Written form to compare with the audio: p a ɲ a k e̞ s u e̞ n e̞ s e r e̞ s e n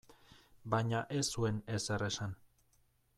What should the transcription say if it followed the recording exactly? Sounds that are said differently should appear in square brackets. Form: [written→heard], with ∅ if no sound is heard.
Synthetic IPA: [p→b] a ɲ a [k→ʔ] e̞ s u e̞ n e̞ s e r e̞ s [e→a] n